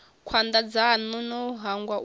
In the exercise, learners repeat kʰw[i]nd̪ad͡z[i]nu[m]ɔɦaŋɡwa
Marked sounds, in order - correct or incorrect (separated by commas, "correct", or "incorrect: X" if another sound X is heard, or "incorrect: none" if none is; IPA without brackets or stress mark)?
incorrect: a, incorrect: a, incorrect: n